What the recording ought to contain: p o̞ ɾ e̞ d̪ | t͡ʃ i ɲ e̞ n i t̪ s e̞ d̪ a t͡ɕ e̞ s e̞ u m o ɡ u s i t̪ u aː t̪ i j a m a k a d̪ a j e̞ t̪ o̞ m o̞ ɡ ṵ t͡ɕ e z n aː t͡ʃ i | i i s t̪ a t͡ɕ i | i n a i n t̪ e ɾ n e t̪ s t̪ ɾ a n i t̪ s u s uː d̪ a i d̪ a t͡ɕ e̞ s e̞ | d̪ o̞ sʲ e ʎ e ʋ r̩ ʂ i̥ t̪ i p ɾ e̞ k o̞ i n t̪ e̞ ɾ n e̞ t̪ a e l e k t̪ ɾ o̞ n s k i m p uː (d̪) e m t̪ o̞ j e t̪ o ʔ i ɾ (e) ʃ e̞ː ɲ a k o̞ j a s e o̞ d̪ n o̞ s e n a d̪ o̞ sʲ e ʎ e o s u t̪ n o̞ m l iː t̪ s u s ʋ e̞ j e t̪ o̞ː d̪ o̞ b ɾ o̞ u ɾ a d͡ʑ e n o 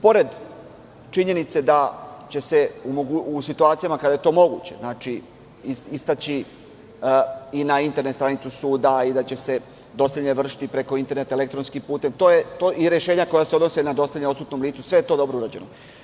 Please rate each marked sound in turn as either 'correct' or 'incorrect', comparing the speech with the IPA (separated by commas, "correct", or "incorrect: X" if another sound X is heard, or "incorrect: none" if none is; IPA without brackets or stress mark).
incorrect: t̪, correct